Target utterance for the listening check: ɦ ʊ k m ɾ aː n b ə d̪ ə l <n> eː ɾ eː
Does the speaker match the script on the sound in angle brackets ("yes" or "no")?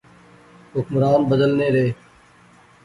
yes